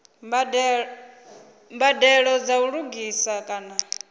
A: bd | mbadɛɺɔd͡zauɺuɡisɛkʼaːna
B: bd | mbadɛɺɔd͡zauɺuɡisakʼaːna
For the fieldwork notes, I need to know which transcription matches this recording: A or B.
B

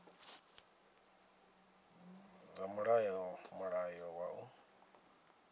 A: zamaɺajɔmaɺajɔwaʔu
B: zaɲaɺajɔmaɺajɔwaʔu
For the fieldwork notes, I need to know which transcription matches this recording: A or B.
A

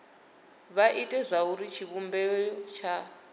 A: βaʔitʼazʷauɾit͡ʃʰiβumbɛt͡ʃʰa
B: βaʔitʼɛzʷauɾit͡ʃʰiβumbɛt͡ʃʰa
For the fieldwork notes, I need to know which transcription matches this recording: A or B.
B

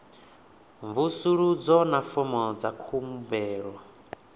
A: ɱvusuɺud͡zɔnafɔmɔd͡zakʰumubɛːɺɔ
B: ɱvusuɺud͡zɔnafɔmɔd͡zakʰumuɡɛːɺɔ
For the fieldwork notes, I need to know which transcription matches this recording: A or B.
A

